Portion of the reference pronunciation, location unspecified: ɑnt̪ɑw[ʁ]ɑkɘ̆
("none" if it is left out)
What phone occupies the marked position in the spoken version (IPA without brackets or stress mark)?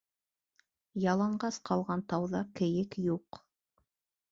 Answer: ð